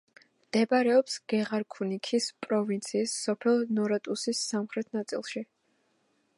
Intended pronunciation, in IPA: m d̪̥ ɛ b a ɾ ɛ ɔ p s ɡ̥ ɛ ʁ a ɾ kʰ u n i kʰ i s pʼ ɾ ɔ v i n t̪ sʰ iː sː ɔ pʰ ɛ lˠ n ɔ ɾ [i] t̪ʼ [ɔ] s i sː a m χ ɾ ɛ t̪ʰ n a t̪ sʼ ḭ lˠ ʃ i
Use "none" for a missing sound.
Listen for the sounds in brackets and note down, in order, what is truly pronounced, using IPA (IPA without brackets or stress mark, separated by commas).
a, u